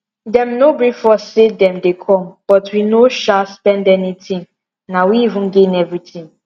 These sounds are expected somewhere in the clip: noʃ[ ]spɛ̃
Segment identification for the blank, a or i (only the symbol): a